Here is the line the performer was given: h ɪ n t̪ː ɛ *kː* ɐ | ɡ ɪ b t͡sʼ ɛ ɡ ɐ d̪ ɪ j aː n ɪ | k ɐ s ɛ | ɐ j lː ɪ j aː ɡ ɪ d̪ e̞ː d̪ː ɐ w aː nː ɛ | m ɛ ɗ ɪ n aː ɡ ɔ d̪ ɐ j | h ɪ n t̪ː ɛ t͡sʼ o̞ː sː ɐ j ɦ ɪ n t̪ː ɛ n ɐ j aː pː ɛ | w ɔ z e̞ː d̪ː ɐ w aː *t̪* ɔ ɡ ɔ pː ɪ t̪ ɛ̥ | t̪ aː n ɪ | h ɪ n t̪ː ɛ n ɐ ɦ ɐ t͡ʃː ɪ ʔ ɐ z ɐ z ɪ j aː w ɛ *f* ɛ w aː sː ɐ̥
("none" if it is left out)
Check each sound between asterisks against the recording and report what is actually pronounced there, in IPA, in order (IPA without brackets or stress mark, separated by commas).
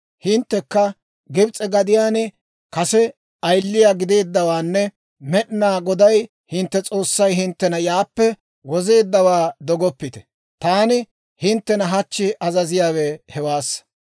kː, d̪, h